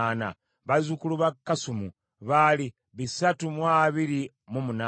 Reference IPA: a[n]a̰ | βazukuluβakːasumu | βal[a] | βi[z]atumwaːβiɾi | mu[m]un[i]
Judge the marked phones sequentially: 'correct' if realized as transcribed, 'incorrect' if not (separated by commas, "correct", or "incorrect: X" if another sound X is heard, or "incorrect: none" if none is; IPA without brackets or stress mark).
correct, incorrect: i, incorrect: s, correct, incorrect: a